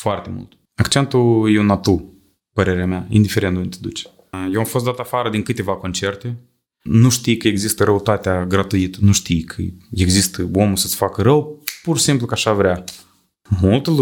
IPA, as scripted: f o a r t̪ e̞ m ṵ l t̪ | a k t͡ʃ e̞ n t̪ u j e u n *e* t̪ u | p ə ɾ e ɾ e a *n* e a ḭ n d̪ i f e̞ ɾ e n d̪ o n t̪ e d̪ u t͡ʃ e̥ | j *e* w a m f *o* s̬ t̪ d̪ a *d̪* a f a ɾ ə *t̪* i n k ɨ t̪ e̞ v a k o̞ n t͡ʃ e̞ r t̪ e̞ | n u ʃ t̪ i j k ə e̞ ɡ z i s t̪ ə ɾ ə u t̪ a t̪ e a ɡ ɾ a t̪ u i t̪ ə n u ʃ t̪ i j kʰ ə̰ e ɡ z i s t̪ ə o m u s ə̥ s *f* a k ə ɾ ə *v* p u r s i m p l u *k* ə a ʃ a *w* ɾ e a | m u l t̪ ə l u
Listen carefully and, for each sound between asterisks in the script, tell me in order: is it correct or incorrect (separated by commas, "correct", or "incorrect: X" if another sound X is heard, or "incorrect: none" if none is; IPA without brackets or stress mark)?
incorrect: a, incorrect: m, correct, correct, incorrect: t̪, incorrect: d̪, correct, incorrect: w, correct, incorrect: v